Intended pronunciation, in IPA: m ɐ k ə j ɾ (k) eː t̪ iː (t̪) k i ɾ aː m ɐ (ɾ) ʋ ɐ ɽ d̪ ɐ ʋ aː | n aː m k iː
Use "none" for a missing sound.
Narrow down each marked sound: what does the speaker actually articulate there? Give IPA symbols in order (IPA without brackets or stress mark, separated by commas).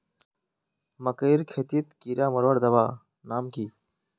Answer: kʰ, t̪, ɾ